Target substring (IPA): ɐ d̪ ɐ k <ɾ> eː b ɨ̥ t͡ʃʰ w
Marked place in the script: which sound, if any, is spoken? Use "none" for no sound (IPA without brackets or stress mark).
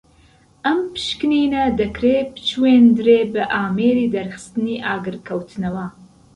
ɾ